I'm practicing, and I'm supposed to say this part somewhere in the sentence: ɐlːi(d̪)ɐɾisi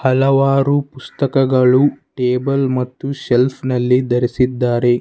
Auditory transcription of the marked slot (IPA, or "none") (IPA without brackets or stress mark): d̪